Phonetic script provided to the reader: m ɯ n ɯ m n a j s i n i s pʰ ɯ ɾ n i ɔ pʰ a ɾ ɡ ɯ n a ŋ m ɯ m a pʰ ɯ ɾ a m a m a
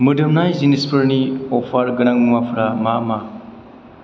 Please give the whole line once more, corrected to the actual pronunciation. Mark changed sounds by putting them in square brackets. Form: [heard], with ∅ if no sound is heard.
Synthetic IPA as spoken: m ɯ [d] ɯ m n a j [z] i n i s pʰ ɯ ɾ n i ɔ pʰ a ɾ ɡ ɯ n a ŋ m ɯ m a pʰ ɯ ɾ a m a m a